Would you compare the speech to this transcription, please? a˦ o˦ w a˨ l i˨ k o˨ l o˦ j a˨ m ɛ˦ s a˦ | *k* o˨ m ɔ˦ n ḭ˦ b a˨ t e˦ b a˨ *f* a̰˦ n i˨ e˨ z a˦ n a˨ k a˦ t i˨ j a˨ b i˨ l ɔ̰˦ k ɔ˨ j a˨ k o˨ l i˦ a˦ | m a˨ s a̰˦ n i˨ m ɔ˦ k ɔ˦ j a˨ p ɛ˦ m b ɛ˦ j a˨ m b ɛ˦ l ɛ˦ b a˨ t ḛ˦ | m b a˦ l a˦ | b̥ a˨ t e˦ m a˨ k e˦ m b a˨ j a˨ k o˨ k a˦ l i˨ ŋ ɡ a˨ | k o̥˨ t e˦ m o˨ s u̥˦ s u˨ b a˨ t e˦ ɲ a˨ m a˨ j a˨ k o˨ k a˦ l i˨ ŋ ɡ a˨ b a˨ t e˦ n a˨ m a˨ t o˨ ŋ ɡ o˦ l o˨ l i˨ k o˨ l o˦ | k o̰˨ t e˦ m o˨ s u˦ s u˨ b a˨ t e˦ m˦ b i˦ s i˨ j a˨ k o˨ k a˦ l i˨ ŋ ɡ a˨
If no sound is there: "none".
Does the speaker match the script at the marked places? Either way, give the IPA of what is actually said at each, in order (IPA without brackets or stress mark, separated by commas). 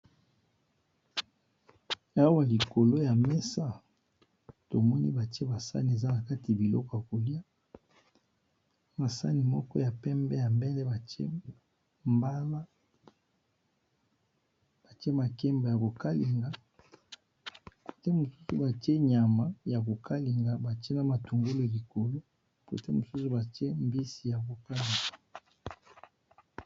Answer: t, s